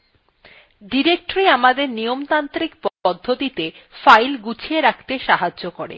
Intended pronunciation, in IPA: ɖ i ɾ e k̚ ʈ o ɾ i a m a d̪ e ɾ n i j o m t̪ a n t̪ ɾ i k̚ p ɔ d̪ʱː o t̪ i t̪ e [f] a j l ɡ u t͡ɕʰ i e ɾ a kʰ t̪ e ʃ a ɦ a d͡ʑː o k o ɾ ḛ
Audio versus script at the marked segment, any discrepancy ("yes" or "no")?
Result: no